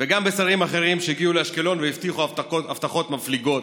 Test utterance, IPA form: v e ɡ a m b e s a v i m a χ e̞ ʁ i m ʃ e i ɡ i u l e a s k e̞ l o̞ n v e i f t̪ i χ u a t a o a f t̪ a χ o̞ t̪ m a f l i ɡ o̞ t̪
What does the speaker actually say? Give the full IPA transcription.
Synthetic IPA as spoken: v e ɡ a m b e s a ʁ i m a χ e̞ ʁ i m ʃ e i ɡ i u l e a ʃ k e̞ l o̞ n v e i f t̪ i χ u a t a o a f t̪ a χ o̞ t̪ m a f l i ɡ o̞ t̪